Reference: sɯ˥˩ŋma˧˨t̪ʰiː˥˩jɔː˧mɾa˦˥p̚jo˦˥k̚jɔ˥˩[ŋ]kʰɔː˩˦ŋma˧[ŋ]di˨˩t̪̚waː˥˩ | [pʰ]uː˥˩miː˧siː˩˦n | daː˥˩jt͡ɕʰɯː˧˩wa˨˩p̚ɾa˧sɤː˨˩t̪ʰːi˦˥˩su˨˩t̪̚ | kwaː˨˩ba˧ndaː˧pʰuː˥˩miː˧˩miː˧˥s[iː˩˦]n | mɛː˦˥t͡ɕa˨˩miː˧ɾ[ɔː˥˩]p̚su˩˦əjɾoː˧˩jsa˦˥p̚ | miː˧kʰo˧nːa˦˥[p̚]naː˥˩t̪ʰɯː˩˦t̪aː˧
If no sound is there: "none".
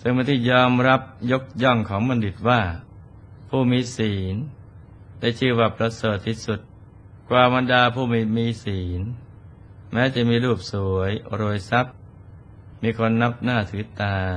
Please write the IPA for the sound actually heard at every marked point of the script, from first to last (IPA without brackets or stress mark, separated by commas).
ŋ, n, pʰ, iː˩˦, uː˥˩, p̚